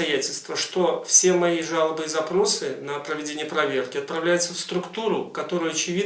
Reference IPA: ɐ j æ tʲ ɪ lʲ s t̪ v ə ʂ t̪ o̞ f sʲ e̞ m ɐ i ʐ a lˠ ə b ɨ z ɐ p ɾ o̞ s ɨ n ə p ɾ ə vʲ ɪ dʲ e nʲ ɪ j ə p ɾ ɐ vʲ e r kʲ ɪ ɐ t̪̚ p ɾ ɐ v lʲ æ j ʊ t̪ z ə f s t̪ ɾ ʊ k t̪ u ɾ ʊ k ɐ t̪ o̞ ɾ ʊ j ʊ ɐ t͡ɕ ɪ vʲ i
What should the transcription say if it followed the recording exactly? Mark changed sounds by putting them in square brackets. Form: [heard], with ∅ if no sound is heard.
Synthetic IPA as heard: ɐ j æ tʲ ɪ lʲ s t̪ v ə ʂ t̪ o̞ f sʲ e̞ m ɐ i ʐ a lˠ ə b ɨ z ɐ p ɾ o̞ s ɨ n ə p ɾ ə vʲ ɪ dʲ e nʲ ɪ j ə p ɾ ɐ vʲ e r kʲ ɪ ɐ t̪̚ p ɾ ɐ v lʲ æ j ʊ t̪ [s] ə f s t̪ ɾ ʊ k t̪ u ɾ ʊ k ɐ t̪ o̞ ɾ ʊ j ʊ ɐ t͡ɕ ɪ vʲ i

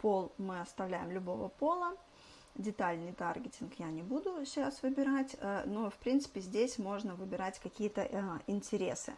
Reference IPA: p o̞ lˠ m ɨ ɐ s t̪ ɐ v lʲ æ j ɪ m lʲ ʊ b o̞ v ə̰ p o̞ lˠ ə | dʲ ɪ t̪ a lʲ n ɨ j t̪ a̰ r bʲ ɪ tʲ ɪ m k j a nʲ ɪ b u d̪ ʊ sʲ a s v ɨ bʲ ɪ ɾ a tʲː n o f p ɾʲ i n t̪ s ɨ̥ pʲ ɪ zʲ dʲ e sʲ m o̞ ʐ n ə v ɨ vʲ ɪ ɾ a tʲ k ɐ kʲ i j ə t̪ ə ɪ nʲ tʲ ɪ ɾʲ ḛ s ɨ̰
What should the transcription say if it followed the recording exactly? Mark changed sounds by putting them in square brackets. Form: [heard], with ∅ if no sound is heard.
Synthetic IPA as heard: p o̞ lˠ m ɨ ɐ s t̪ ɐ v lʲ æ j ɪ m lʲ ʊ b o̞ v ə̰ p o̞ lˠ ə | dʲ ɪ t̪ a lʲ n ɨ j t̪ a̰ r [ɡʲ] ɪ tʲ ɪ [n] k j a nʲ ɪ b u d̪ ʊ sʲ a s v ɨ bʲ ɪ ɾ a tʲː n o f p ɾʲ i n t̪ s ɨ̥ pʲ ɪ zʲ dʲ e sʲ m o̞ ʐ n ə v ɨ [bʲ] ɪ ɾ a tʲ k ɐ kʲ i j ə t̪ ə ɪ nʲ tʲ ɪ ɾʲ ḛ s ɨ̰

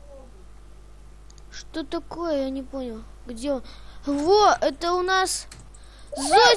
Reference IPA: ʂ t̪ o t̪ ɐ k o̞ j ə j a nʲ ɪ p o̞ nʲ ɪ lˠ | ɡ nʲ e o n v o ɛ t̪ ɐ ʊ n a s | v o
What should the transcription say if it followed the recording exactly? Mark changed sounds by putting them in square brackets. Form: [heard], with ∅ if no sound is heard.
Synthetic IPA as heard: ʂ t̪ o t̪ ɐ k o̞ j ə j a nʲ ɪ p o̞ nʲ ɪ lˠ | ɡ [dʲ] e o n v o ɛ t̪ [ə] ʊ n a s | [z] o

